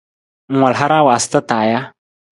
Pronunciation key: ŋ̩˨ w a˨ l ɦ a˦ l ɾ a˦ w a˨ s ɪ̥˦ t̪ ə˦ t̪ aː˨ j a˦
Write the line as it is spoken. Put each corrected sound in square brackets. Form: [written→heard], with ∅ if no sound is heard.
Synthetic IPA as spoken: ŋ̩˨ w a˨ l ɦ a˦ [l→∅] ɾ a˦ w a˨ s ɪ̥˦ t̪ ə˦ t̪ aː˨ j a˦